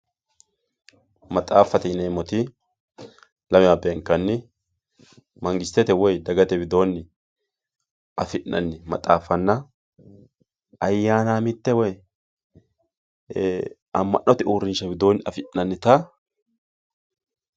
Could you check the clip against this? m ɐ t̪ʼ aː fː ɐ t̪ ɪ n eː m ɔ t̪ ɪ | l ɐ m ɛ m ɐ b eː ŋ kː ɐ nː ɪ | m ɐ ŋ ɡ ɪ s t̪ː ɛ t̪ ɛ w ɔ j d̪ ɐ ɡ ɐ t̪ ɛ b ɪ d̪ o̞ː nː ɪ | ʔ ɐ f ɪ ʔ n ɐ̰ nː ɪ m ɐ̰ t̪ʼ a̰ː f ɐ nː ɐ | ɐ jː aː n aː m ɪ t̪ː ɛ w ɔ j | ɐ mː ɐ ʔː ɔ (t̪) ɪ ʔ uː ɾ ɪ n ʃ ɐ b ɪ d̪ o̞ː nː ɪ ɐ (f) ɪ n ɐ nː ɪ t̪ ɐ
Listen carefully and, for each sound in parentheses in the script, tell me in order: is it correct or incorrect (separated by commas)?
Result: correct, correct